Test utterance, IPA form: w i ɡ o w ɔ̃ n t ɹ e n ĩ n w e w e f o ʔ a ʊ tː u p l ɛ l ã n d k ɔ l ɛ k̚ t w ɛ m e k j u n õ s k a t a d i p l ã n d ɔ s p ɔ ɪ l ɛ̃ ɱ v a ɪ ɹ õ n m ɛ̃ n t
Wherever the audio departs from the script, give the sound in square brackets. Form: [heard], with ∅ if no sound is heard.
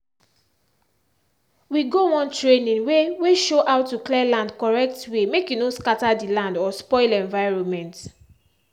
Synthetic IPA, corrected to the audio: w i ɡ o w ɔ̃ n t ɹ e n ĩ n w e w e [ʃ] o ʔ a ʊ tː u [k] l ɛ l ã n d k ɔ [ɹ] ɛ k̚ t w [e] m e k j u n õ s k a t a d i [∅] l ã n d ɔ s p ɔ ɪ l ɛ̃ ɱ v a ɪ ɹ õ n m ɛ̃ n t